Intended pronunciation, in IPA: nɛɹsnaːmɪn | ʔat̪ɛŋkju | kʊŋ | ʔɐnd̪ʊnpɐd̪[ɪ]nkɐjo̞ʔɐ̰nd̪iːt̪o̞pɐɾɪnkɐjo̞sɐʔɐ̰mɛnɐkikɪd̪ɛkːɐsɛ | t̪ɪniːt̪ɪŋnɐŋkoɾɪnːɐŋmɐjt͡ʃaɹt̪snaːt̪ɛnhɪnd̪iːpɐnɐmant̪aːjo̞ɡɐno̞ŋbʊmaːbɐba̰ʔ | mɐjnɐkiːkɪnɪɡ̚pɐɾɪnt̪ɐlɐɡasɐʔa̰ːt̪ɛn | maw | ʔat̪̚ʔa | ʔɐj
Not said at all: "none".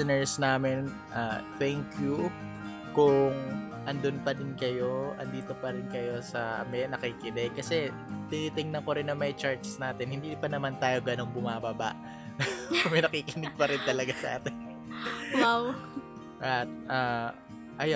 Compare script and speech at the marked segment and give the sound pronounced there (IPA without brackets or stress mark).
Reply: ɪ